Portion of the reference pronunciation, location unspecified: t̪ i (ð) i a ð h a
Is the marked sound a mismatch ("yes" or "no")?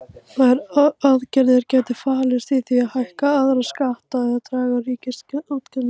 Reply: yes